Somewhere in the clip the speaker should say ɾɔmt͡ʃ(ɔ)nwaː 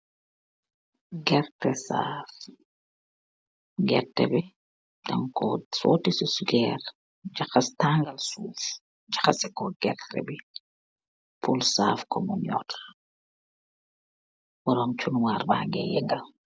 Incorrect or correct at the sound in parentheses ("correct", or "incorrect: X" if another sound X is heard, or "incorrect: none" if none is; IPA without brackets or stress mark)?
incorrect: u